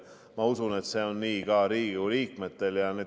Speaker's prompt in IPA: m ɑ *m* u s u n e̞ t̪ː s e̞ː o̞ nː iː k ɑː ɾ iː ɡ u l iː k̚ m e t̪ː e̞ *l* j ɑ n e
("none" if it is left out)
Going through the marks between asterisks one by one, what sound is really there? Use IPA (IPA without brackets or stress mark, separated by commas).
none, l